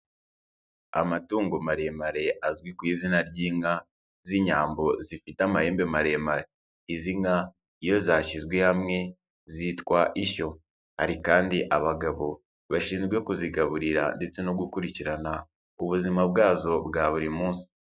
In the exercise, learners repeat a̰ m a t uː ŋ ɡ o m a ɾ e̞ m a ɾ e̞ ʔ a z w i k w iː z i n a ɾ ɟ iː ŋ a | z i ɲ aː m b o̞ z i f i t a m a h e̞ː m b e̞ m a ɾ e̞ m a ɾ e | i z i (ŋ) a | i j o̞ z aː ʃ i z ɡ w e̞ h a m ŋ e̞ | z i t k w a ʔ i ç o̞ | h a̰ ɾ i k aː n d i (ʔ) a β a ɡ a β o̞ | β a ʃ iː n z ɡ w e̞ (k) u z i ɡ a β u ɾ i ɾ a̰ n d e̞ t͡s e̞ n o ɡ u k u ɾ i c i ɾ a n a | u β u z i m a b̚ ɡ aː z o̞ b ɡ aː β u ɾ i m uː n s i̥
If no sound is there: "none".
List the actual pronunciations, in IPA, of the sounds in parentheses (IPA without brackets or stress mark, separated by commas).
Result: ŋ, ʔ, k